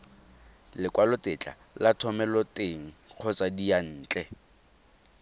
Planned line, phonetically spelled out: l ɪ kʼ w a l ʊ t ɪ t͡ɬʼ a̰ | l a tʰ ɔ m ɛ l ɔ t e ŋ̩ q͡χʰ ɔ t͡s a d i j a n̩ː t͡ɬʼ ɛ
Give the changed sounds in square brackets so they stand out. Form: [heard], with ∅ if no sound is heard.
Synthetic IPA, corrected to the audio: l ɪ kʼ w a l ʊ t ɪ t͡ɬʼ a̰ | l a tʰ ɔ m ɛ l ɔ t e ŋ̩ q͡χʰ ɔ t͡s a d i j a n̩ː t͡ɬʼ ɛ